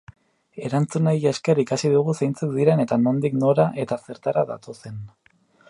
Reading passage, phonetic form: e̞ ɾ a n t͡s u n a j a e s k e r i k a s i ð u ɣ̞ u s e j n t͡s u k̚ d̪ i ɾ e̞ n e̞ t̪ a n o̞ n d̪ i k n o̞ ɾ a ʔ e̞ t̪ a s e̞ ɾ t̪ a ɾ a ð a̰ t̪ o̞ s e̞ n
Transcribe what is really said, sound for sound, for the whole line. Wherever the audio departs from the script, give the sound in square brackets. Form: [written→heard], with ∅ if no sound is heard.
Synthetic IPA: e̞ ɾ a n t͡s u n a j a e s k e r i k a s i ð u ɣ̞ u s e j n t͡s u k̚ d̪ i ɾ e̞ n e̞ t̪ a n o̞ n d̪ i k n o̞ ɾ a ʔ e̞ t̪ a s e̞ ɾ t̪ a ɾ a ð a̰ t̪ o̞ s e̞ n